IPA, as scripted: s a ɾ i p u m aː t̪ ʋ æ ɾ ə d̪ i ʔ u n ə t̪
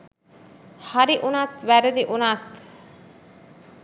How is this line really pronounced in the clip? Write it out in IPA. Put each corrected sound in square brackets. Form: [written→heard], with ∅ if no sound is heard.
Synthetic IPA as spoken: [s→h] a ɾ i [p→ʔ] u [m→n] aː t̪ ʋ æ ɾ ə d̪ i ʔ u n [ə→a] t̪